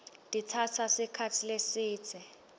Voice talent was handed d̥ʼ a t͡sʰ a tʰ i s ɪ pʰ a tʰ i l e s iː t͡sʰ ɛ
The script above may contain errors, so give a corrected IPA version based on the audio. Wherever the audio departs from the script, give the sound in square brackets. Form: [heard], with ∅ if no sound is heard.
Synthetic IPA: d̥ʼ [i] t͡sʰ a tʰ [a] s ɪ [kʰ] a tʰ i l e s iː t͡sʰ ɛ